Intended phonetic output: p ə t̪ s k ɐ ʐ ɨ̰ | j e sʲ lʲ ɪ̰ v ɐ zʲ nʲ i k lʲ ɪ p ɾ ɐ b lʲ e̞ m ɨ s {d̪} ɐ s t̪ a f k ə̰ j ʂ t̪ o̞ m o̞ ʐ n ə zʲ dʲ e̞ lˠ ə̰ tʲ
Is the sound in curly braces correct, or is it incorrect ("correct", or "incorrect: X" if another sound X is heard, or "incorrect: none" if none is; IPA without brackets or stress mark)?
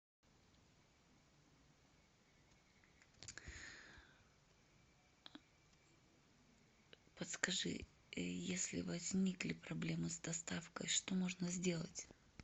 correct